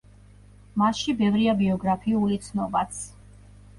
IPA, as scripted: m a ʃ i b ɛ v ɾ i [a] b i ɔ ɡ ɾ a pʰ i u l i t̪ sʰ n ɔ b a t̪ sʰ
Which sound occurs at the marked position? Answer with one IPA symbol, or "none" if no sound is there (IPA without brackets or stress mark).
a